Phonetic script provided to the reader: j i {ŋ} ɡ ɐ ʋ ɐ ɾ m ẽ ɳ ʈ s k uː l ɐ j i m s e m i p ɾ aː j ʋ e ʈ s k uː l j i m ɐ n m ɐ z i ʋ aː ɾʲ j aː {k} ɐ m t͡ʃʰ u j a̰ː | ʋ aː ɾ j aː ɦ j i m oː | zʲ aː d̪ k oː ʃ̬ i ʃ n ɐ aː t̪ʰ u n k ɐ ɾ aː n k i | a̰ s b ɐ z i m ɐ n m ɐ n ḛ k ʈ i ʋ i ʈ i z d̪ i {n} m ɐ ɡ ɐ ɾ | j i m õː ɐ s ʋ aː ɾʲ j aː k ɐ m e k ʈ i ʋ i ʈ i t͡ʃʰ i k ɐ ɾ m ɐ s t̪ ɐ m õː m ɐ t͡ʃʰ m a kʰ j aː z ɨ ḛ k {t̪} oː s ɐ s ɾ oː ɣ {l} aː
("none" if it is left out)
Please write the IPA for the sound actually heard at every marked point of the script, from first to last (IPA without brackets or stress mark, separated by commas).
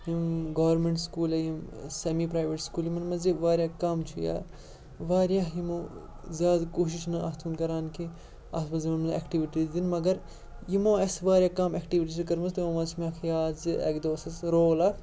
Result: m, k, n, d̪, l